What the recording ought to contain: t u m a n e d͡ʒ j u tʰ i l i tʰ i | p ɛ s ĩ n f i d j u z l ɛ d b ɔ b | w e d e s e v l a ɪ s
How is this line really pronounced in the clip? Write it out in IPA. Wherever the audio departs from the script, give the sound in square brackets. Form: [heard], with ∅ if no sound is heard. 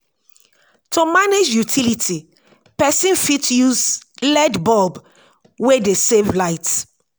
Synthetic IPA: t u m a n e d͡ʒ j u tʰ i l i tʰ i | p ɛ s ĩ n f i [t] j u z l ɛ d b ɔ b | w e d e s e v l a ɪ [t]